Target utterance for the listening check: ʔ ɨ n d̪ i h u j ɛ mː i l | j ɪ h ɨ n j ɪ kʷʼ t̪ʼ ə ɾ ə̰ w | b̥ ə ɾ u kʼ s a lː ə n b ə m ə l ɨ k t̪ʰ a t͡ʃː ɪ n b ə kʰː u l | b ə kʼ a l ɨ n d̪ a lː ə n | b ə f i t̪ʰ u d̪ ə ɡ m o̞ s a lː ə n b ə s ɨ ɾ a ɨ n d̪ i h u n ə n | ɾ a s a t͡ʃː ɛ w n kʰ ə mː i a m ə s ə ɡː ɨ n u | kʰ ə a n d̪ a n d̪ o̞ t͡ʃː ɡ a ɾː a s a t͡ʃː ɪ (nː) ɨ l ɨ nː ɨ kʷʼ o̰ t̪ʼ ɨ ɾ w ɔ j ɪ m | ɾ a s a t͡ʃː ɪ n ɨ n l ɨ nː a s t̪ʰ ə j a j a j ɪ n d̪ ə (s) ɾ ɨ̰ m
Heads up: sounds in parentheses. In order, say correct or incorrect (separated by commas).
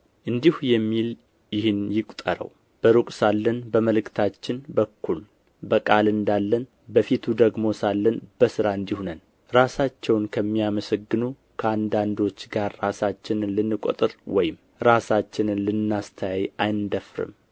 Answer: incorrect, incorrect